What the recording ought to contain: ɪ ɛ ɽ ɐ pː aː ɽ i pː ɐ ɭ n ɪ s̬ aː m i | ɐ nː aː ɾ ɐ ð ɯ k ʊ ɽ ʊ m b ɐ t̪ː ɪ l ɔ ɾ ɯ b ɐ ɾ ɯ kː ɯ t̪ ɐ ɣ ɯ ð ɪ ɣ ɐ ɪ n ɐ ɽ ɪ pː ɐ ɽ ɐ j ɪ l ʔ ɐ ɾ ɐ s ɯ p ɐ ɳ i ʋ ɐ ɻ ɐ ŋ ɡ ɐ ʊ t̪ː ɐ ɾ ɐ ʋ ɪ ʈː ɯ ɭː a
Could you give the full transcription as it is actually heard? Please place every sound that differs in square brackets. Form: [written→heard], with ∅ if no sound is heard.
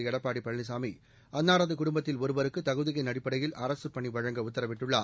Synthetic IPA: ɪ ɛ ɽ ɐ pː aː ɽ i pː ɐ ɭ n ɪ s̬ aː m i | ɐ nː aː ɾ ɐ ð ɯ k ʊ ɽ ʊ m b ɐ t̪ː ɪ l ɔ ɾ ɯ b ɐ ɾ ɯ kː ɯ t̪ ɐ ɣ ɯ ð ɪ ɣ ɐ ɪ n ɐ ɽ ɪ pː ɐ ɽ ɐ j ɪ l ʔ ɐ ɾ ɐ s ɯ p ɐ ɳ i ʋ ɐ ɻ ɐ ŋ ɡ ɐ ʊ t̪ː ɐ ɾ ɐ ʋ ɪ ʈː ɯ ɭː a